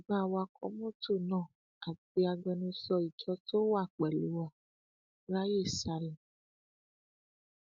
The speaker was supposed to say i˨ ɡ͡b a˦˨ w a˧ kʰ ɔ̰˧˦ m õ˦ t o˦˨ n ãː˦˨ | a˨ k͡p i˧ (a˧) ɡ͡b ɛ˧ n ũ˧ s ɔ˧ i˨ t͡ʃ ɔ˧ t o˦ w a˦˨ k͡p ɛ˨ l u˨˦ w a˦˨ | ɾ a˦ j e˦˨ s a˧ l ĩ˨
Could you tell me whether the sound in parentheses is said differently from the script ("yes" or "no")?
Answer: no